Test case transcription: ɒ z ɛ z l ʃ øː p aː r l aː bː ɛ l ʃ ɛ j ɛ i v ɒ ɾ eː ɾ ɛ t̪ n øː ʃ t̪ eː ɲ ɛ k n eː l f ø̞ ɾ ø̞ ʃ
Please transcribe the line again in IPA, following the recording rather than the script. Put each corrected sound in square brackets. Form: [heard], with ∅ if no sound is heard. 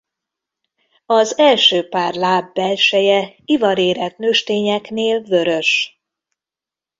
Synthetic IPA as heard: ɒ z ɛ [∅] l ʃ øː p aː r l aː bː ɛ l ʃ ɛ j ɛ i v ɒ ɾ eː ɾ ɛ t̪ n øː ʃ t̪ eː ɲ ɛ k n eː l [v] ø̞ ɾ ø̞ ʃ